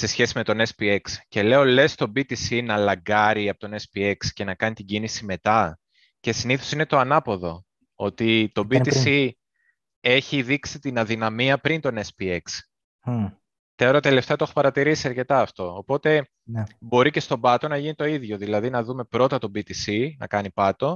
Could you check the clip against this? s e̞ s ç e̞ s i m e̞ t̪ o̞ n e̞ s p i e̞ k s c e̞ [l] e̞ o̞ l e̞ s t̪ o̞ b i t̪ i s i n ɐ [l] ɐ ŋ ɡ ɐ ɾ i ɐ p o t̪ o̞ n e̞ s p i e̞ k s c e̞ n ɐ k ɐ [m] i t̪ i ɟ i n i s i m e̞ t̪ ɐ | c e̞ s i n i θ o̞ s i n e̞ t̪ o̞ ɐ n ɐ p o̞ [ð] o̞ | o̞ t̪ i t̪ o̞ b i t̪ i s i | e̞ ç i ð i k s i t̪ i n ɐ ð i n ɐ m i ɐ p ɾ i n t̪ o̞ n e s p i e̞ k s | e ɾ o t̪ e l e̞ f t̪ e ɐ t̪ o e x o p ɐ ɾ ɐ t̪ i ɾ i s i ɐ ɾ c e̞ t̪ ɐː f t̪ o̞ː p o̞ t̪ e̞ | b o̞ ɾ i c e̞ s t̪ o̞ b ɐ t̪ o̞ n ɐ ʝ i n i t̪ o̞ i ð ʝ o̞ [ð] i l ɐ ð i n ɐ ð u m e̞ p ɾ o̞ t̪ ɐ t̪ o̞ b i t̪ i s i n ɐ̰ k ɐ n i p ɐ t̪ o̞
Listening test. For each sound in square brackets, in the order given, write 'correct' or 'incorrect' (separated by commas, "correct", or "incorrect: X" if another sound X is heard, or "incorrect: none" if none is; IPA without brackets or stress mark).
correct, correct, incorrect: n, correct, correct